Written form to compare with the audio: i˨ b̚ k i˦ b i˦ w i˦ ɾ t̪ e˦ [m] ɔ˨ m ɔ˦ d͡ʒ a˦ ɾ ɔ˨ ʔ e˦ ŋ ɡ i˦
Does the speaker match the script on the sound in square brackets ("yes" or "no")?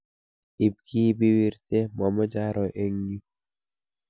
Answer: yes